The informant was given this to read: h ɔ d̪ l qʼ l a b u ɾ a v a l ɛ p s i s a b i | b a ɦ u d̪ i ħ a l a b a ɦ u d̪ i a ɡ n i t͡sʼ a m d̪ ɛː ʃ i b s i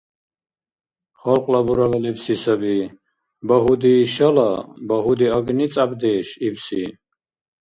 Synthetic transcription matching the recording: χ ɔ l qʼ l a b u ɾ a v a l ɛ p s i s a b i | b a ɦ u d̪ i ʃ a l a b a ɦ u d̪ i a ɡ n i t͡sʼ a b d̪ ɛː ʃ i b s i